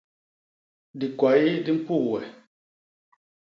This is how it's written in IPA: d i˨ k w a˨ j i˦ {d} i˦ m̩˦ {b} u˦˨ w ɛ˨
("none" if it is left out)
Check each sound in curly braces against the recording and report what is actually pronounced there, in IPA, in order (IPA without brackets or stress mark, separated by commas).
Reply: d, p